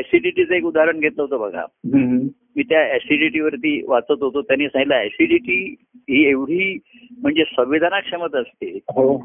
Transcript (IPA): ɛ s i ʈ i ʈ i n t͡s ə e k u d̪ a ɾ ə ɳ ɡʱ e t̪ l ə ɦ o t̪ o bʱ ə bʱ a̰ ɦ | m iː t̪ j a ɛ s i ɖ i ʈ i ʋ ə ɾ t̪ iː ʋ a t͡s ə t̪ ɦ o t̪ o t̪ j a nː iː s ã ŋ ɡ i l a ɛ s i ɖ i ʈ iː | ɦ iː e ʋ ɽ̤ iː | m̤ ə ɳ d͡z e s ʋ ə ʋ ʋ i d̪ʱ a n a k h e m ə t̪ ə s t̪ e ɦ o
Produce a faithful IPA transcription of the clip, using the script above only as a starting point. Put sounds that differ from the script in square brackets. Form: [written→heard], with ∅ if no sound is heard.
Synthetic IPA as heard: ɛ s i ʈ i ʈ i [n→∅] t͡s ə e k u d̪ a ɾ ə ɳ ɡʱ e t̪ l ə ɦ o t̪ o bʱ ə [bʱ→ɡʱ] a̰ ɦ | m iː t̪ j a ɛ s i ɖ i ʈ i ʋ ə ɾ t̪ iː ʋ a t͡s ə t̪ ɦ o t̪ o t̪ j a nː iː s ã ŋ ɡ i l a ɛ s i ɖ i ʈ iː | ɦ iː e ʋ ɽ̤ iː | m̤ ə ɳ d͡z e s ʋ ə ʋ ʋ i d̪ʱ a n a k [h→ʂ] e m ə t̪ ə s t̪ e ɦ o